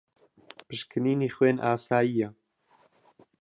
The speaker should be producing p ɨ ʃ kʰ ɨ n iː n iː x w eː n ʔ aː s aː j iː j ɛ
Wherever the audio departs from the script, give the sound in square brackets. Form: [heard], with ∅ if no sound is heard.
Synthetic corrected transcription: p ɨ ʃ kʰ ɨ n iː n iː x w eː n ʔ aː s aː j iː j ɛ